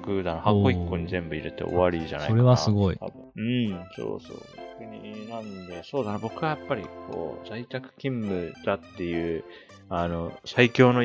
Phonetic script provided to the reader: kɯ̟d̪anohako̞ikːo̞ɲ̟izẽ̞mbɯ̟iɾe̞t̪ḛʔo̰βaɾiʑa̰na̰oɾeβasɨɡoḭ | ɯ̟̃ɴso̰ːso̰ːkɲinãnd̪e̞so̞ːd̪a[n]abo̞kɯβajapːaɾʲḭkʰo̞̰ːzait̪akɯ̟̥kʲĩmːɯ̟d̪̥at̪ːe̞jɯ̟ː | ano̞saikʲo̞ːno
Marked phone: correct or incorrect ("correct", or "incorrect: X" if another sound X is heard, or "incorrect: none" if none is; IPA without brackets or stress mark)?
correct